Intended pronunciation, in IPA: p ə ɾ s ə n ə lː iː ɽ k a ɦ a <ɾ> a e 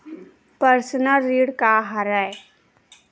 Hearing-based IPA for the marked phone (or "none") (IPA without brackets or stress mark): ɾ